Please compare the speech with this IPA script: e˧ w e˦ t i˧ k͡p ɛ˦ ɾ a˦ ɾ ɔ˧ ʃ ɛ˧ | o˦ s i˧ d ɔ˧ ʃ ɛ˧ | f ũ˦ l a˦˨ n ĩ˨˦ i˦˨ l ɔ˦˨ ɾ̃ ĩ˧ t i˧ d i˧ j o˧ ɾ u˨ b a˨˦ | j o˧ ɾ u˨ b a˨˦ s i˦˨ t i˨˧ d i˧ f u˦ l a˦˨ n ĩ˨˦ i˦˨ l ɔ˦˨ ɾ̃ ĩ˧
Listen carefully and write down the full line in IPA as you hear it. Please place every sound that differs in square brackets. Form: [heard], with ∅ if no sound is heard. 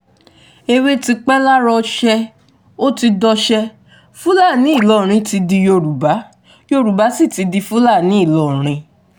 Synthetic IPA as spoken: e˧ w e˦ t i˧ k͡p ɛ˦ [l] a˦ ɾ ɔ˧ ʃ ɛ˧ | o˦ [t] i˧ d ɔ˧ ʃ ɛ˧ | f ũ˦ l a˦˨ n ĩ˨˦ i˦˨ l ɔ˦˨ ɾ̃ ĩ˧ t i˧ d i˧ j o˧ ɾ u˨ b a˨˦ | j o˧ ɾ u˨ b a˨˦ s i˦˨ t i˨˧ d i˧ f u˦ l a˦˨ n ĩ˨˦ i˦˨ l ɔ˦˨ ɾ̃ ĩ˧